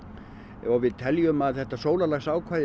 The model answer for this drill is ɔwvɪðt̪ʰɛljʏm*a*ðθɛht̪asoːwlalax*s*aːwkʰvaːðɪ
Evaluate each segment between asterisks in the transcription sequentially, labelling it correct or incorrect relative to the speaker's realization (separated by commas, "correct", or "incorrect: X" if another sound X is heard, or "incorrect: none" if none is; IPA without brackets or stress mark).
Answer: correct, correct